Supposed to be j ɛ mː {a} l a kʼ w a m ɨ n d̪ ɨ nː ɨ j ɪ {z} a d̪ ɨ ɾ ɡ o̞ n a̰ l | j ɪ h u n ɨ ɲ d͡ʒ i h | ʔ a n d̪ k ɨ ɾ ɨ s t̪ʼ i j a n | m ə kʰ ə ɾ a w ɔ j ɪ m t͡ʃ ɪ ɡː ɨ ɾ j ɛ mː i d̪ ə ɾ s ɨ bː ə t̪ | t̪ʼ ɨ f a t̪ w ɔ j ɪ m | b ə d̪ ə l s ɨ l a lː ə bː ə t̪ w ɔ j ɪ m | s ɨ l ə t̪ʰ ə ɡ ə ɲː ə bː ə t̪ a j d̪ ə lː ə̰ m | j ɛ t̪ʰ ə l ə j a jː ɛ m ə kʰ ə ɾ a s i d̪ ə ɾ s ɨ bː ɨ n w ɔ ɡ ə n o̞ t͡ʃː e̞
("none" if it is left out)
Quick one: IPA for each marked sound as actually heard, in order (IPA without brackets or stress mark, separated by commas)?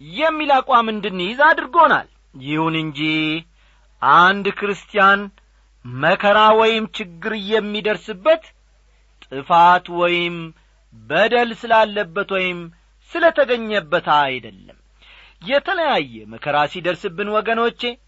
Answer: i, z